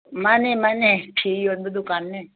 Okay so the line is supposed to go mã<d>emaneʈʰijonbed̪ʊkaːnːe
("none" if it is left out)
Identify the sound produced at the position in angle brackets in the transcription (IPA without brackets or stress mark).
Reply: n